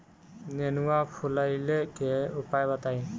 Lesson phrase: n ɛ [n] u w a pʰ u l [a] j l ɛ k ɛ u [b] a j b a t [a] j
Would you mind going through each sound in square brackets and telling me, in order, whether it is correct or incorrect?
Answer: correct, correct, incorrect, correct

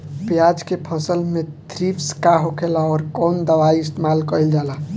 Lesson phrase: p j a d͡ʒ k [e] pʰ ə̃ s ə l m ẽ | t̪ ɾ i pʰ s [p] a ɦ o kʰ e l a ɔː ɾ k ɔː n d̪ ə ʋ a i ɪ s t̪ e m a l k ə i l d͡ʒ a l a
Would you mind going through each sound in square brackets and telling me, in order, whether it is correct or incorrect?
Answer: correct, incorrect

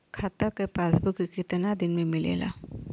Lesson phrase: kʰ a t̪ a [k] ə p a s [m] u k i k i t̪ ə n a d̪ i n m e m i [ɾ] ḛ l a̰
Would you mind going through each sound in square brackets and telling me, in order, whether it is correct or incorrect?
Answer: correct, incorrect, incorrect

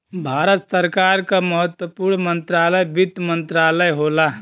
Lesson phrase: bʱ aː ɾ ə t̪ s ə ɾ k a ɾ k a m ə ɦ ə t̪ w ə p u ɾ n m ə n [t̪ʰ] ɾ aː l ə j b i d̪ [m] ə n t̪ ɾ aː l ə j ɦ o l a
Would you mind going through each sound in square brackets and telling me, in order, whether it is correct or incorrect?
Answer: incorrect, correct

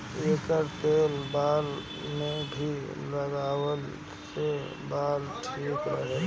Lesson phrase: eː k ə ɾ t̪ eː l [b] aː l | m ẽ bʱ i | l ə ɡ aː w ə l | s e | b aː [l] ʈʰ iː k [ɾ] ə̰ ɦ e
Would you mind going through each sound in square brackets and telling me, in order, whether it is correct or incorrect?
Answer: correct, correct, correct

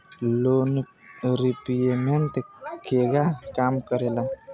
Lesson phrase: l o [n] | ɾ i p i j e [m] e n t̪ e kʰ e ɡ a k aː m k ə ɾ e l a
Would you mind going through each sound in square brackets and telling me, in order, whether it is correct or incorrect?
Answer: correct, correct

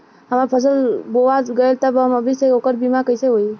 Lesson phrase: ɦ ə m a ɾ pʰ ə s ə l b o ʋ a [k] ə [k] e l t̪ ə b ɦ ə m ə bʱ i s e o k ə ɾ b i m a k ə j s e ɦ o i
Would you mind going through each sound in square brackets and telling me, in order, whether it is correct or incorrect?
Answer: incorrect, incorrect

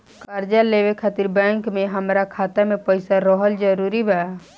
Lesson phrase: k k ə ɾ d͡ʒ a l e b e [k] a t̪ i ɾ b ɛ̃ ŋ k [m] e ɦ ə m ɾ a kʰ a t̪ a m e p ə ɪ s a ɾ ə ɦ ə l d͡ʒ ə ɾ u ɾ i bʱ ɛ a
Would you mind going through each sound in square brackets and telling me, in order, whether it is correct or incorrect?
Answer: incorrect, correct

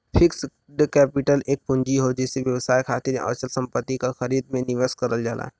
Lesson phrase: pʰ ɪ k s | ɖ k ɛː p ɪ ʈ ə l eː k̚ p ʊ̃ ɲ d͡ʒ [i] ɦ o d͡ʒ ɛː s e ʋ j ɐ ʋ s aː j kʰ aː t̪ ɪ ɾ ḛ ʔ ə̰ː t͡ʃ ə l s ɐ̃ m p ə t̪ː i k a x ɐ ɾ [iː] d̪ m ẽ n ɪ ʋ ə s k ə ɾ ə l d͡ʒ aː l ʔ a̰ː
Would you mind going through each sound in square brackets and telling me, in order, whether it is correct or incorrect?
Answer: correct, correct

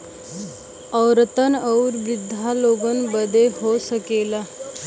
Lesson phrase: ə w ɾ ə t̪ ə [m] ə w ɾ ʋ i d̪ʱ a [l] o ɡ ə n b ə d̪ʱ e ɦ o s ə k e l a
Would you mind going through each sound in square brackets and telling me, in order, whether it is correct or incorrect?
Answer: incorrect, correct

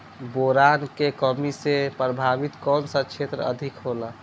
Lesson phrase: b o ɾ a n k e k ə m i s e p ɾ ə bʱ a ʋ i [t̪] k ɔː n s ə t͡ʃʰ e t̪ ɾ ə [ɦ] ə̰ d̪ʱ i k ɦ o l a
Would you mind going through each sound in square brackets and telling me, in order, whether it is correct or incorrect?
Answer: correct, incorrect

